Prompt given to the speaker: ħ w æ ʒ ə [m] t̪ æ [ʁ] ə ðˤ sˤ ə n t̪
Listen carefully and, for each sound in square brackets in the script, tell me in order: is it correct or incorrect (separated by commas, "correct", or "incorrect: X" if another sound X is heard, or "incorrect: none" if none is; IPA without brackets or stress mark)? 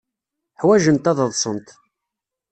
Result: incorrect: n, incorrect: ð